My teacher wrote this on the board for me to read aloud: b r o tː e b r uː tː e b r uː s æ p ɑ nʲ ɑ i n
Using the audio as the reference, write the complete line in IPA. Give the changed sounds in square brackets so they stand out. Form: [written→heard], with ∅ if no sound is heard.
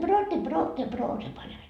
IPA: b r [o→oː] tː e b r [uː→oː] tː e b r [uː→oː] s [æ→e] p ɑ nʲ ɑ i n